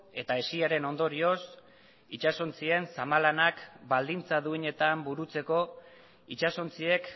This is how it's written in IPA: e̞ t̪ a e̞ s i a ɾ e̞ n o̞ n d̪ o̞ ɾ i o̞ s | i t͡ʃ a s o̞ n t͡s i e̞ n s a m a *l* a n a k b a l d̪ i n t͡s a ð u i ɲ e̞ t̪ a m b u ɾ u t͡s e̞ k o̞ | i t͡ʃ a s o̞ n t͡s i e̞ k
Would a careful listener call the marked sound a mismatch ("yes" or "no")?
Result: no